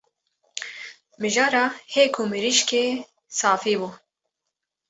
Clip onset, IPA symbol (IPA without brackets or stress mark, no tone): m